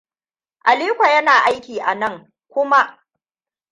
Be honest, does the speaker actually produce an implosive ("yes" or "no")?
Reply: no